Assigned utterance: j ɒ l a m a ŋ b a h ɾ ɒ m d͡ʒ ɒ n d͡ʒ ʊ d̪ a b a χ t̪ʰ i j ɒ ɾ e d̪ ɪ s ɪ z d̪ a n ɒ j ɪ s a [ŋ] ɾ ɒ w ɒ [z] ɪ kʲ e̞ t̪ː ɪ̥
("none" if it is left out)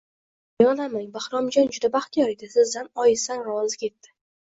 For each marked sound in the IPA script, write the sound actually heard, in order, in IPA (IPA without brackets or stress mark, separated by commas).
n, z